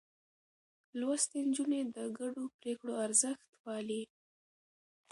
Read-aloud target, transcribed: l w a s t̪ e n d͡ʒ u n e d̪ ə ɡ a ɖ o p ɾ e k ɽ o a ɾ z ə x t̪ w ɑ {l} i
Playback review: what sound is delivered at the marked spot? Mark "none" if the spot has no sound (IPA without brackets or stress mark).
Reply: l